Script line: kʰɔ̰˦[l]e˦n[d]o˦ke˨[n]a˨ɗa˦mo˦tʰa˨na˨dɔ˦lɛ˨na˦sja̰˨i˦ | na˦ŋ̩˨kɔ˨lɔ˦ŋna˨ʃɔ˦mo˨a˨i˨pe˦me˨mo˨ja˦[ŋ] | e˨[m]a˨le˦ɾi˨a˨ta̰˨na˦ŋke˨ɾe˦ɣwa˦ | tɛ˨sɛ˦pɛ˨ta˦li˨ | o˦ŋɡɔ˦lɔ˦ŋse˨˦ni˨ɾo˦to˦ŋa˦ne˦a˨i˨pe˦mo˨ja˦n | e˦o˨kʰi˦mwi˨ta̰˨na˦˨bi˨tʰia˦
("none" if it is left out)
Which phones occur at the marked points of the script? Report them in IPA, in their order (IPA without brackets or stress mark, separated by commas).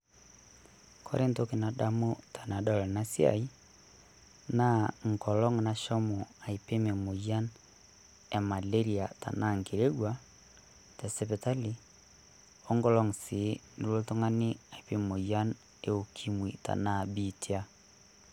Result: ɾ, t, n, n, m